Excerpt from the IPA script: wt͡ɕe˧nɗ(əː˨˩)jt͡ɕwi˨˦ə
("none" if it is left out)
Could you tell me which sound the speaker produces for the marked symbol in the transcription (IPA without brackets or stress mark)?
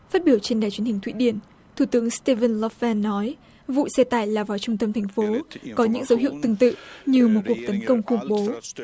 aː˨˩